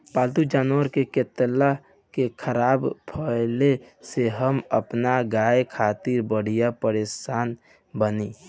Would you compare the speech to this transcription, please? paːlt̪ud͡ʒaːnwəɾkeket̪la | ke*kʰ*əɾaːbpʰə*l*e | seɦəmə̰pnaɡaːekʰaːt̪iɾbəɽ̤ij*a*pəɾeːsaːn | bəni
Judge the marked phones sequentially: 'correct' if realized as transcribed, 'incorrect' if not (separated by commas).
correct, correct, correct